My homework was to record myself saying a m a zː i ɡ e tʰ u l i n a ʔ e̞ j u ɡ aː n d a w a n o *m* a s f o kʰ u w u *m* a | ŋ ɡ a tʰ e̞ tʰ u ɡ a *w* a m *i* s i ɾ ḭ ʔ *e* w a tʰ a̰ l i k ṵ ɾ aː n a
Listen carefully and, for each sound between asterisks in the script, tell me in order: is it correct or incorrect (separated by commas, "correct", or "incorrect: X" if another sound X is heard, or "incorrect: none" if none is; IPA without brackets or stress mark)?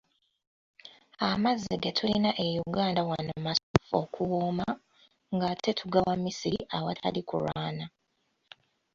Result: correct, correct, correct, correct, incorrect: a